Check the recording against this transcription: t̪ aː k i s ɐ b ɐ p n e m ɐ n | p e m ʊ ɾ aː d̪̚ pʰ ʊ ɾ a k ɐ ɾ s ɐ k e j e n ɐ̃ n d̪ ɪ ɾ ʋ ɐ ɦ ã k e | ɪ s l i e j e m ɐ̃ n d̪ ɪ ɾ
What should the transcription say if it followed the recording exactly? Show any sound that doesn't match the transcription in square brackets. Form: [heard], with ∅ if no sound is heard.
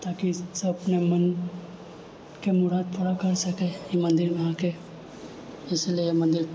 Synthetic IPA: t̪ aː k i s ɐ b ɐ p n e m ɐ n | [k] e m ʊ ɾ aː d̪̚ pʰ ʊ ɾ a k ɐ ɾ s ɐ k e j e [m] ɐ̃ n d̪ ɪ ɾ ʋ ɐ ɦ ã k e | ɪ s l i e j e m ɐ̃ n d̪ ɪ ɾ